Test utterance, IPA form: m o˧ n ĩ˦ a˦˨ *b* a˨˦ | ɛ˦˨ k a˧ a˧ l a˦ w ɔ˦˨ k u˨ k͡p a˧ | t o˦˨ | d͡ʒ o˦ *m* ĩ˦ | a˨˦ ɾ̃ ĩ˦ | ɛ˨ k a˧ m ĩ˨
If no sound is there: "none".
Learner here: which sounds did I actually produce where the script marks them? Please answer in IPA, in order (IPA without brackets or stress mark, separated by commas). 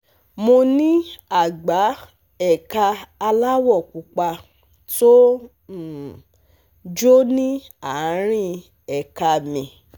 ɡ͡b, n